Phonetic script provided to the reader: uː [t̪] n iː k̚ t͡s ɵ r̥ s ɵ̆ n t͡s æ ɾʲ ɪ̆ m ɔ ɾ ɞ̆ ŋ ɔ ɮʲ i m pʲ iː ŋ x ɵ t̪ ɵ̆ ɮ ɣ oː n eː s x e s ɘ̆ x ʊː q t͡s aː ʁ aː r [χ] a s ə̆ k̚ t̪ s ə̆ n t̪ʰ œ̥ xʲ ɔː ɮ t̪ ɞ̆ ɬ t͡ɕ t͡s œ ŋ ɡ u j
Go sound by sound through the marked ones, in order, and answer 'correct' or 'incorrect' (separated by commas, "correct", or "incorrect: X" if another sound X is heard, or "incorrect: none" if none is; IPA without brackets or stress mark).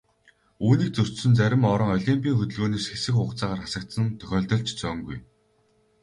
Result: incorrect: none, correct